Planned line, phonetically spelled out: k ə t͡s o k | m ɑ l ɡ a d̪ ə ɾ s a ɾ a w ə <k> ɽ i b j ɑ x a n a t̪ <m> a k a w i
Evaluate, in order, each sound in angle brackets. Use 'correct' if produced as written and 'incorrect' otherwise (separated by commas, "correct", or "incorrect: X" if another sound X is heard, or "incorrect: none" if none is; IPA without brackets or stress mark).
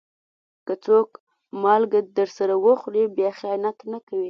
incorrect: x, incorrect: n